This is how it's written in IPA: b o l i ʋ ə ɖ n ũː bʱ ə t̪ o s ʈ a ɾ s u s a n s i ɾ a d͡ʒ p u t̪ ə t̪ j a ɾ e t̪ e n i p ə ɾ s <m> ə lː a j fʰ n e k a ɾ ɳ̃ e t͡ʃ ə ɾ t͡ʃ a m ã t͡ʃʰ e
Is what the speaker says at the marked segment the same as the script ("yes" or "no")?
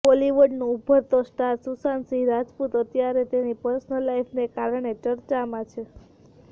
no